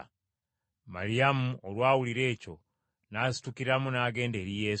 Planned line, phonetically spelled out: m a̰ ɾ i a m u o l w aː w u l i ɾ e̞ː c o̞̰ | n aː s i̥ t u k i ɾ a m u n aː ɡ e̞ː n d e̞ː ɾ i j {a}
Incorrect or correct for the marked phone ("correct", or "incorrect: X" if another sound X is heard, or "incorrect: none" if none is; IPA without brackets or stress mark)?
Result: incorrect: e